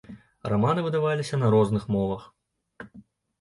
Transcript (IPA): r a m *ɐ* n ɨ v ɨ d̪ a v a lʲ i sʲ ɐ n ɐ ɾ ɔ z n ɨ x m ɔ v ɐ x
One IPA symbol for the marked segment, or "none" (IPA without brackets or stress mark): a